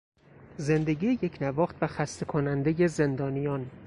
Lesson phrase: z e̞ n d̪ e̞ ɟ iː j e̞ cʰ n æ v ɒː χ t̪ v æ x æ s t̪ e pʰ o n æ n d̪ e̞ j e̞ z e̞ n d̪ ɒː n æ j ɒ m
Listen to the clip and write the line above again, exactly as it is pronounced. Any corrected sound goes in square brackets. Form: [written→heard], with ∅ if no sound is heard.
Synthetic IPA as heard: z e̞ n d̪ e̞ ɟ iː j e̞ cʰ n æ v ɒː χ t̪ v æ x æ s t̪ e [pʰ→kʰ] o n æ n d̪ e̞ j e̞ z e̞ n d̪ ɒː n [æ→i] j ɒ [m→n]